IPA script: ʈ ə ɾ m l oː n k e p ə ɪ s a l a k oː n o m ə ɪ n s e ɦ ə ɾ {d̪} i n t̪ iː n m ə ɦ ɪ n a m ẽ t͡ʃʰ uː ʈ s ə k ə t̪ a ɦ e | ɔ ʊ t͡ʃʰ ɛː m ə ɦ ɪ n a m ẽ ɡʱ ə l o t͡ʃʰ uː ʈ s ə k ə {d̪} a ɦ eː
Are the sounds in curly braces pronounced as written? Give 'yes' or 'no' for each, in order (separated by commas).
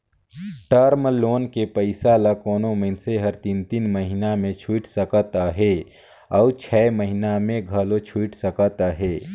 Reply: no, no